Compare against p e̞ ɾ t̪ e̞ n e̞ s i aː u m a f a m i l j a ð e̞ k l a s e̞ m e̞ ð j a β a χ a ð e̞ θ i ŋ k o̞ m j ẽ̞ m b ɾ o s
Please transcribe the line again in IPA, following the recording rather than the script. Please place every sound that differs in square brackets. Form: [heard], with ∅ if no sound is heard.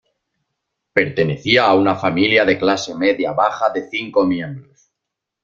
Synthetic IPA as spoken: p e̞ ɾ t̪ e̞ n e̞ [θ] i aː u [n] a f a m i l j a ð e̞ k l a s e̞ m e̞ ð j a β a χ a ð e̞ θ i ŋ k o̞ m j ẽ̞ m b ɾ o s